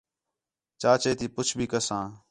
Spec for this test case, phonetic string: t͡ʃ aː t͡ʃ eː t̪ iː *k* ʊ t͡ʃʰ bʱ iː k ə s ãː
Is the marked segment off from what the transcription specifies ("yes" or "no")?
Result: yes